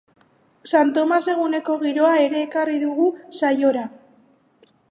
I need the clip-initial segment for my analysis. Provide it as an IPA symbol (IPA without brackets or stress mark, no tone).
s